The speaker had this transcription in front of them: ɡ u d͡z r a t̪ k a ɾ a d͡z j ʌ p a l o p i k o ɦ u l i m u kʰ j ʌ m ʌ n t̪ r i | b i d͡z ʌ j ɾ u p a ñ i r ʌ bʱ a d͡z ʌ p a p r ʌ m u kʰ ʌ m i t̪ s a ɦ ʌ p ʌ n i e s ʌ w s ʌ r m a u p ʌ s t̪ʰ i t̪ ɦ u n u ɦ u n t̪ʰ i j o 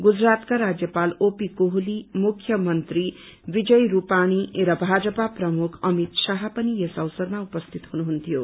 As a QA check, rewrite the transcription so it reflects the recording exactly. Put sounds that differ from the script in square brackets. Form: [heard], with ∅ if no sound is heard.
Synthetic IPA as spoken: ɡ u d͡z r a t̪ k a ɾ a d͡z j ʌ p a l o p i k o ɦ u l i m u kʰ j ʌ m ʌ n t̪ r i | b i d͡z ʌ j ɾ u p a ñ i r ʌ bʱ a d͡z ʌ p a p r ʌ m u kʰ ʌ m i t̪ s a ɦ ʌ p ʌ n i e s ʌ w s ʌ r m a u p ʌ s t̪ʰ i t̪ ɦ u n u ɦ u n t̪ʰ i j o

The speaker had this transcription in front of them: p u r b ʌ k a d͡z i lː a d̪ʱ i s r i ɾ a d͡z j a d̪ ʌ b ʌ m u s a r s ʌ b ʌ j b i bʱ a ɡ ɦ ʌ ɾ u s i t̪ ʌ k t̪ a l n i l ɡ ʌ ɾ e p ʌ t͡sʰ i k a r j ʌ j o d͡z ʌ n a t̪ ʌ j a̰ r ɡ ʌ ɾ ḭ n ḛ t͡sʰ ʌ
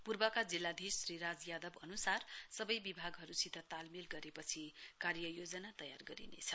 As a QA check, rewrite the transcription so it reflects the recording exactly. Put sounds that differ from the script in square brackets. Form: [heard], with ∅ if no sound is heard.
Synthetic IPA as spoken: p u r b ʌ k a d͡z i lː a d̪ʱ i s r i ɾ a d͡z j a d̪ ʌ b ʌ [n] u s a r s ʌ b ʌ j b i bʱ a ɡ ɦ ʌ ɾ u s i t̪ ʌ [∅] t̪ a l [m] i l ɡ ʌ ɾ e p ʌ t͡sʰ i k a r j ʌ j o d͡z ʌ n a t̪ ʌ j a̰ r ɡ ʌ ɾ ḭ n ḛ t͡sʰ ʌ

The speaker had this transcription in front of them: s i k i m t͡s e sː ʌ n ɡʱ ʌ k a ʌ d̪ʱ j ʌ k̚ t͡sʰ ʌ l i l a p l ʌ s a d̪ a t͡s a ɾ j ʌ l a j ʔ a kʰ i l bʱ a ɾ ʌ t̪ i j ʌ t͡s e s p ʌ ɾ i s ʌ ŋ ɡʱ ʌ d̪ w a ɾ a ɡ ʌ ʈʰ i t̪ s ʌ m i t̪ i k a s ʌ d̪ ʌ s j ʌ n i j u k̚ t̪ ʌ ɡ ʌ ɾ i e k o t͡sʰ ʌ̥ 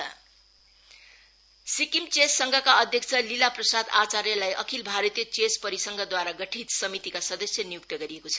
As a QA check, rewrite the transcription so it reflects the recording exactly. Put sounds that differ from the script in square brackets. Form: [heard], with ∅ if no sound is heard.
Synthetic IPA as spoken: s i k i m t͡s e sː ʌ [ŋ] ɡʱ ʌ k a ʌ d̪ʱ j ʌ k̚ t͡sʰ ʌ l i l a p [r] ʌ s a d̪ a t͡s a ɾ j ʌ l a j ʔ [ʌ] kʰ i l bʱ a ɾ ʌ t̪ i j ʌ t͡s e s p ʌ ɾ i s ʌ ŋ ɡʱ ʌ d̪ w a ɾ a ɡ ʌ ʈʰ i t̪ s ʌ m i t̪ i k a s ʌ d̪ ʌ s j ʌ n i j u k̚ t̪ ʌ ɡ ʌ ɾ i e k o t͡sʰ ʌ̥

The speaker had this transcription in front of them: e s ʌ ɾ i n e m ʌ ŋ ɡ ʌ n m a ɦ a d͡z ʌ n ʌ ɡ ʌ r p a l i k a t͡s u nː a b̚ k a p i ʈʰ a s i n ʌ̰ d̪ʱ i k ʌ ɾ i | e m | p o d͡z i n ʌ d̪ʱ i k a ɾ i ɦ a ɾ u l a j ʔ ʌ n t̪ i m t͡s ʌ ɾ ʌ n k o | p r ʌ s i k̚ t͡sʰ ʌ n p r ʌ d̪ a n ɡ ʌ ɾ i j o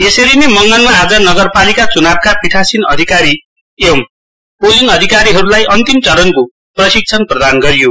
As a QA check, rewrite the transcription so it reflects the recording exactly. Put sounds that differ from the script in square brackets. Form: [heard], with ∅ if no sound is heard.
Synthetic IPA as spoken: e s ʌ ɾ i n e m ʌ ŋ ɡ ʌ n m a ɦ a d͡z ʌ n ʌ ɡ ʌ r p a l i k a t͡s u [n] a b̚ k a p i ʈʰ a s i n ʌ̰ d̪ʱ i k [a] ɾ i | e m | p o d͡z i n ʌ d̪ʱ i k a ɾ i ɦ [ʌ] ɾ u l a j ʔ ʌ n t̪ i m t͡s ʌ ɾ ʌ n k o | p r ʌ s i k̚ t͡sʰ ʌ n p r ʌ d̪ a n ɡ ʌ ɾ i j o

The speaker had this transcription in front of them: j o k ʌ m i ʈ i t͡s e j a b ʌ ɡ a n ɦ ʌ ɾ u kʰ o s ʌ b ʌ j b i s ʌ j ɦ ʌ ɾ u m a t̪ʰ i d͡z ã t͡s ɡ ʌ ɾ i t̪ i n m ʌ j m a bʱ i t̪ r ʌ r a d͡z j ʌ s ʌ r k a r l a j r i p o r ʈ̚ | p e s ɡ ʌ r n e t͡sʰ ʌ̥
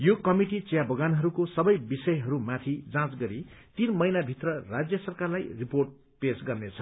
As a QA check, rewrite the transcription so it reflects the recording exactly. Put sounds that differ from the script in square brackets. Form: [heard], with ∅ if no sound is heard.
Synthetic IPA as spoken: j o k ʌ m i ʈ i t͡s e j a b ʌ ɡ a n ɦ ʌ ɾ u [k] o s ʌ b ʌ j b i s ʌ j ɦ ʌ ɾ u m a t̪ʰ i d͡z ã t͡s ɡ ʌ ɾ i t̪ i n m ʌ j [n] a bʱ i t̪ r ʌ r a d͡z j ʌ s ʌ r k a r l a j r i p o r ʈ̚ | p e s ɡ ʌ r n e t͡sʰ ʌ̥

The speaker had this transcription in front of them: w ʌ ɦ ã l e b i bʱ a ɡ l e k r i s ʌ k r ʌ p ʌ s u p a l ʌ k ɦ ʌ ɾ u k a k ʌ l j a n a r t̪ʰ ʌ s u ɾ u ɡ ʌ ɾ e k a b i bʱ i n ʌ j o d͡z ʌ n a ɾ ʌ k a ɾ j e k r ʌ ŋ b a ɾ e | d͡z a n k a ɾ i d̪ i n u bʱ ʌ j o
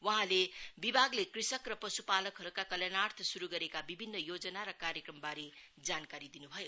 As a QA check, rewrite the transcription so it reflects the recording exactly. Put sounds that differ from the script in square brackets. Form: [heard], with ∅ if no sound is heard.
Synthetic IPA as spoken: w ʌ ɦ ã l e b i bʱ a ɡ l e k r i s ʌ k r ʌ p ʌ s u p a l ʌ k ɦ ʌ ɾ u k a k ʌ l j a n a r t̪ʰ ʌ s u ɾ u ɡ ʌ ɾ e k a b i bʱ i [nː] ʌ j o d͡z ʌ n a ɾ ʌ k a ɾ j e k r ʌ [m] b a ɾ e | d͡z a n k a ɾ i d̪ i n u bʱ ʌ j o

